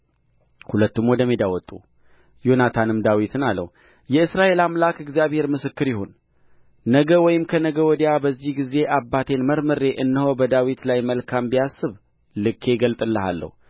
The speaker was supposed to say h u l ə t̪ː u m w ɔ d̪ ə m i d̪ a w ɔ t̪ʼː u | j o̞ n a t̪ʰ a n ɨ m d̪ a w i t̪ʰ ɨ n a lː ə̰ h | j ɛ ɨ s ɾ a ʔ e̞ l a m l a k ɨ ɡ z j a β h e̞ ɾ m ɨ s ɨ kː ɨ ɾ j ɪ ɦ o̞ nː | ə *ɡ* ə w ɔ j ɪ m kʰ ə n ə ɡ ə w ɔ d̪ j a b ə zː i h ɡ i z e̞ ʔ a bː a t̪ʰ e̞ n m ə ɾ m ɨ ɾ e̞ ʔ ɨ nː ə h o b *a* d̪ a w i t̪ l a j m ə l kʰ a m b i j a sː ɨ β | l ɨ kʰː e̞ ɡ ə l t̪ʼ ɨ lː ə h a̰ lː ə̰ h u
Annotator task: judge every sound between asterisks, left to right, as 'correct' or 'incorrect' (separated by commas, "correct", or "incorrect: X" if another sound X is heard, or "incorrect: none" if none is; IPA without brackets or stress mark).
correct, incorrect: ə